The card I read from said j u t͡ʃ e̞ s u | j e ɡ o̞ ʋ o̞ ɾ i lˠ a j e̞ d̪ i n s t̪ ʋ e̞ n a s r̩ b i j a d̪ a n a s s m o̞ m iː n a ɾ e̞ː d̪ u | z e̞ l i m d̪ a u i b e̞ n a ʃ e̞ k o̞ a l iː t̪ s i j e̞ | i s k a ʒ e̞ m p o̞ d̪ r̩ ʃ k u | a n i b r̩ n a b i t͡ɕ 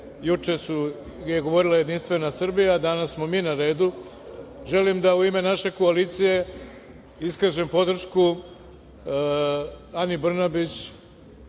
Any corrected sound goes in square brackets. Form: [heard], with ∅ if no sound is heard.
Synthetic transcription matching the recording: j u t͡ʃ e̞ s u | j e ɡ o̞ ʋ o̞ ɾ i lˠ a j e̞ d̪ i n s t̪ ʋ e̞ n a s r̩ b i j a d̪ a n a s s m o̞ m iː n a ɾ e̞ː d̪ u | [ʒ] e̞ l i m d̪ a u i [m] e̞ n a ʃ e̞ k o̞ a l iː t̪ s i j e̞ | i s k a ʒ e̞ m p o̞ d̪ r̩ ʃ k u | a n i b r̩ n a b i t͡ɕ